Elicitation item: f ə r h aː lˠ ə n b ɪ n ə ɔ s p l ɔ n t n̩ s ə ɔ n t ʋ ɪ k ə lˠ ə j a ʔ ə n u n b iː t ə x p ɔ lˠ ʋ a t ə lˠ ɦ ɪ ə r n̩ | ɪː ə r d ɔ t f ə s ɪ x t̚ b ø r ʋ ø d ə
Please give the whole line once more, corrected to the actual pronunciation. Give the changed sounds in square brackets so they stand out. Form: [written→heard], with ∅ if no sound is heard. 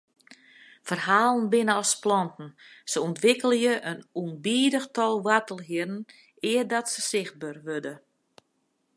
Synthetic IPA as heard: f ə r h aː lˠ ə n b ɪ n ə ɔ s p l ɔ n t n̩ s ə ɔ n t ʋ ɪ k ə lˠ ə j [a→ə] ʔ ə n u n b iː [t→d] ə x [p→t] ɔ lˠ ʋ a t ə lˠ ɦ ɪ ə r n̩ | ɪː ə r d ɔ t [f→s] ə s ɪ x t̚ b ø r ʋ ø d ə